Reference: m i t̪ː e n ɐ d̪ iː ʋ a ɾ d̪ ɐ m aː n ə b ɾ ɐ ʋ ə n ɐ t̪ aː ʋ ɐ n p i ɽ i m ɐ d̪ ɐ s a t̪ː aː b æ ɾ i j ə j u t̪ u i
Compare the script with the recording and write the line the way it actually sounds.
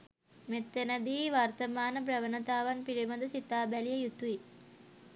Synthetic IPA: m e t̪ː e n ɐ d̪ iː ʋ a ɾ t̪ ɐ m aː n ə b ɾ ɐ ʋ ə n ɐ t̪ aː ʋ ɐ n p i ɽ i m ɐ d̪ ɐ s i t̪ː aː b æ l i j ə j u t̪ u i